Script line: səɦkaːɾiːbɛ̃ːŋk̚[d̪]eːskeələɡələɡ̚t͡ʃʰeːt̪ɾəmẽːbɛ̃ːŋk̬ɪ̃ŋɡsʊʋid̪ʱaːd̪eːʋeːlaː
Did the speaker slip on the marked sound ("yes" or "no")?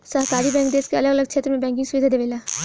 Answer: no